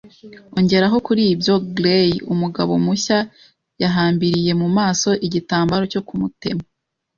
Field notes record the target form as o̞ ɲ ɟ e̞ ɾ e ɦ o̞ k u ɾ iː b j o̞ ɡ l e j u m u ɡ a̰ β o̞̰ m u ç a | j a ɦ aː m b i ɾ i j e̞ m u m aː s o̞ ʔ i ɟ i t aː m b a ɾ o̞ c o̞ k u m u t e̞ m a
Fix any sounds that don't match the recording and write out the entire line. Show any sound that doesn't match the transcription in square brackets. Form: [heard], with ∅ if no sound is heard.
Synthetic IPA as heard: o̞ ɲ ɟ e̞ ɾ [a] ɦ o̞ k u ɾ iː b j o̞ ɡ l e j u m u ɡ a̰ β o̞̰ m u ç a | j a ɦ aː m b i ɾ i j e̞ m u m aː s o̞ ʔ i ɟ i t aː m b a ɾ o̞ c o̞ k u m u t e̞ m a